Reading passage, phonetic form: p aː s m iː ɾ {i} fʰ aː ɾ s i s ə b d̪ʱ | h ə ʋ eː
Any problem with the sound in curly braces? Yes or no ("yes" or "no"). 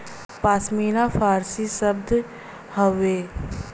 yes